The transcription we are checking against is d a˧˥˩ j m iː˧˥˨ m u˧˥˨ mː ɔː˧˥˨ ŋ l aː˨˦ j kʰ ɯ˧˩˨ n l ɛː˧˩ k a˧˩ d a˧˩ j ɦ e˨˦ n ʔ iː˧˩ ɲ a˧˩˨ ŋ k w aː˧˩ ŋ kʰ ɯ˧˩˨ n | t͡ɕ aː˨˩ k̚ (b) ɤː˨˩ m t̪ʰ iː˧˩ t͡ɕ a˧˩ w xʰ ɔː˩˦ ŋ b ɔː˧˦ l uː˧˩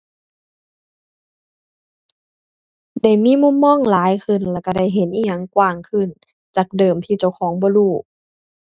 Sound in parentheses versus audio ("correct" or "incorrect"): incorrect